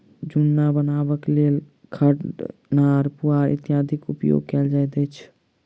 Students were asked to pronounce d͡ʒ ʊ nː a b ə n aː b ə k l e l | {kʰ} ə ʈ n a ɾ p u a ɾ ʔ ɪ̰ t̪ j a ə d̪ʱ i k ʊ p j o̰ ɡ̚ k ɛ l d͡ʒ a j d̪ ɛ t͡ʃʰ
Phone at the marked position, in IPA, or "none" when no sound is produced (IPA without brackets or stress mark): kʰ